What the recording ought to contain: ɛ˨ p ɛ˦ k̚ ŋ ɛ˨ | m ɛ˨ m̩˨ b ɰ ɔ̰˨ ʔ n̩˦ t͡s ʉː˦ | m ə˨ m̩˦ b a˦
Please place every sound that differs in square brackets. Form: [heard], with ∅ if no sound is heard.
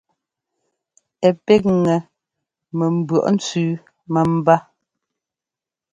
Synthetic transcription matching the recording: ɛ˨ p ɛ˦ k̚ ŋ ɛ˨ | m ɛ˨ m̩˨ b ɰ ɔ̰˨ ʔ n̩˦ t͡s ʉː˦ | m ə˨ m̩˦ b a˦